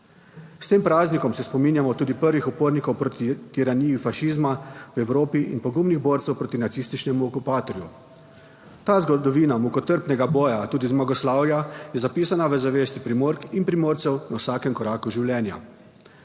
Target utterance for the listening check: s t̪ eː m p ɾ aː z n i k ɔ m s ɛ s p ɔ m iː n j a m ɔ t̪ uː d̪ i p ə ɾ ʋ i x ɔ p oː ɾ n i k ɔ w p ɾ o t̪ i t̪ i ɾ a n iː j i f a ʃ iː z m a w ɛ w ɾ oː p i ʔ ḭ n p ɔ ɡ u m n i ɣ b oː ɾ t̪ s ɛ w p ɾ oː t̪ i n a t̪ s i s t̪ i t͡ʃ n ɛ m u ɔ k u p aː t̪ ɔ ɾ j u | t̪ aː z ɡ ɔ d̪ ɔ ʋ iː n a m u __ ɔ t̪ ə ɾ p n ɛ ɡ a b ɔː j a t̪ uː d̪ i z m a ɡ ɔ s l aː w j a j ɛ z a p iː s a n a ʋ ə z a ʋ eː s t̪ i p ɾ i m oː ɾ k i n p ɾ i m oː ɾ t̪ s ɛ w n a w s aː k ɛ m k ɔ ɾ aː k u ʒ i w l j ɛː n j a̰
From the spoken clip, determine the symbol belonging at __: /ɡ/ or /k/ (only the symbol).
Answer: k